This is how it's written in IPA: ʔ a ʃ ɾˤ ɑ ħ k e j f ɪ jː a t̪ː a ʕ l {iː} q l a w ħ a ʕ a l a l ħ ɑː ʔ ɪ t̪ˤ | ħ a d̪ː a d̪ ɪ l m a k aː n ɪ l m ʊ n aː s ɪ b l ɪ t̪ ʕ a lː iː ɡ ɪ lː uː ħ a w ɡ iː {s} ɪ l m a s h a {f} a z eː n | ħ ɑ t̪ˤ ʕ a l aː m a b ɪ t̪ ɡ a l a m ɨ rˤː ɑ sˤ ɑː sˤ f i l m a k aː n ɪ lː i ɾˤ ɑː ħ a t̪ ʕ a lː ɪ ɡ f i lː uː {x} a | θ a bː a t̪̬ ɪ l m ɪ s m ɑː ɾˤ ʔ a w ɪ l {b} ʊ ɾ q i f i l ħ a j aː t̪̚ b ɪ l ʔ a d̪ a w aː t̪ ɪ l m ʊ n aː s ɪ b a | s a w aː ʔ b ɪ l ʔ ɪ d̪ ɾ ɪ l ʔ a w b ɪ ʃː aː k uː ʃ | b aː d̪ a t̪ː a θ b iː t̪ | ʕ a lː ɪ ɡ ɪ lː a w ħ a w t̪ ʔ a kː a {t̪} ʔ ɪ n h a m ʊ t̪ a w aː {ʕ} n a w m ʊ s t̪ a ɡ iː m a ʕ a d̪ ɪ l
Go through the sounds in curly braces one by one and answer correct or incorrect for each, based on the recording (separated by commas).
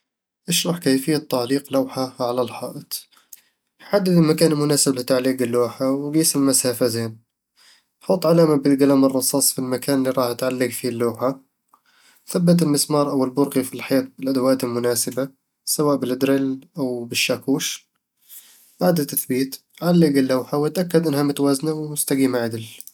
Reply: correct, correct, correct, incorrect, correct, incorrect, incorrect